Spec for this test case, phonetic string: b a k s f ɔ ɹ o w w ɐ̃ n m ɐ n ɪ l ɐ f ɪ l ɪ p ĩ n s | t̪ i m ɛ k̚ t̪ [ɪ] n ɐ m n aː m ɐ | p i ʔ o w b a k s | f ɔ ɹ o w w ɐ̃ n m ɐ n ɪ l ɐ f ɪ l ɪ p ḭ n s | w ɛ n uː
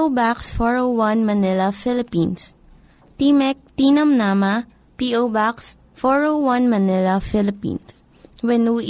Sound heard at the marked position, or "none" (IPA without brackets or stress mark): i